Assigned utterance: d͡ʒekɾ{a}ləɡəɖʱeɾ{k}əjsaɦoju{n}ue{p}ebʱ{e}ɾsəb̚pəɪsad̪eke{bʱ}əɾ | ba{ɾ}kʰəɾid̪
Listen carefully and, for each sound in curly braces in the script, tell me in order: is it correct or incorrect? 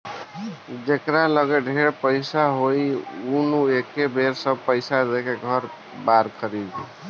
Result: correct, incorrect: p, correct, incorrect: k, correct, incorrect: ɡʱ, correct

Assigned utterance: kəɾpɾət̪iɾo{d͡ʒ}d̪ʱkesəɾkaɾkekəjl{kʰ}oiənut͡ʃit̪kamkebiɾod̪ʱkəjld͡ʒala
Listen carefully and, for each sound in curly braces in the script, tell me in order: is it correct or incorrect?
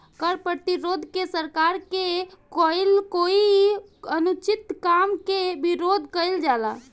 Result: incorrect: none, incorrect: k

